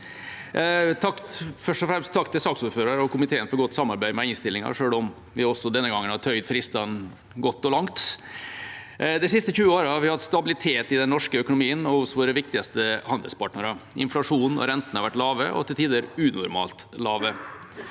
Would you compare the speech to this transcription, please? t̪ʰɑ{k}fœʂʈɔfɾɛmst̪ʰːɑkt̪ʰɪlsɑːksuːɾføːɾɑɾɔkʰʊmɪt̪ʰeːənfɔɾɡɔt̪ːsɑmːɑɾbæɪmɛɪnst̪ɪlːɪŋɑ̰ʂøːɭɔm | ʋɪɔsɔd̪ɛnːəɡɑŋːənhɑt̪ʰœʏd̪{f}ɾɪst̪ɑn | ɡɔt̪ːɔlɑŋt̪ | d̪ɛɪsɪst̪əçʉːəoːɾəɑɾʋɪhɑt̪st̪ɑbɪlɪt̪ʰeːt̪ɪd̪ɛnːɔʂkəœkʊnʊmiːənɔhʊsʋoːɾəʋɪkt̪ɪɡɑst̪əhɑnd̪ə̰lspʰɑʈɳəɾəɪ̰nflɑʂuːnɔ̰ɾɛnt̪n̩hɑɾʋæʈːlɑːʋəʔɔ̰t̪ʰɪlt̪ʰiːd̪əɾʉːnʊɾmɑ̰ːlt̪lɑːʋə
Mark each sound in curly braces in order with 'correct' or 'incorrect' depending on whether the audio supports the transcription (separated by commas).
correct, correct